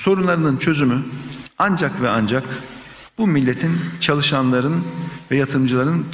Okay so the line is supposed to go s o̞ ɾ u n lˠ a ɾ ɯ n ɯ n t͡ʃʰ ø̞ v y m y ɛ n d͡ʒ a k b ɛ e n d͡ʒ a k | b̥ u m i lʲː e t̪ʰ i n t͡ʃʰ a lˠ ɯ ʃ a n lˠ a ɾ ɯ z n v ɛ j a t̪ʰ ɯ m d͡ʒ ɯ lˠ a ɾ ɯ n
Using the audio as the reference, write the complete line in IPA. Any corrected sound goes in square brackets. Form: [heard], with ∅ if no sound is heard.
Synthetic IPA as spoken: s o̞ ɾ u n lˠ a ɾ ɯ n ɯ n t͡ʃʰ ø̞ [z] y m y [a] n d͡ʒ a k [v] ɛ [a] n d͡ʒ a k | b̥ u m i lʲː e t̪ʰ i n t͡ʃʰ a lˠ ɯ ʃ a n lˠ a ɾ ɯ [∅] n v ɛ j a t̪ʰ ɯ m d͡ʒ ɯ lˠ a ɾ ɯ n